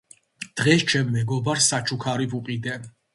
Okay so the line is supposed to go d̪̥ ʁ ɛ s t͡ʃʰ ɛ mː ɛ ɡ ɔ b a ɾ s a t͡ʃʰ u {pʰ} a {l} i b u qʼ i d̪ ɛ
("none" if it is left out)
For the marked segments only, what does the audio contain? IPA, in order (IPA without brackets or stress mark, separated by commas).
kʰ, ɾ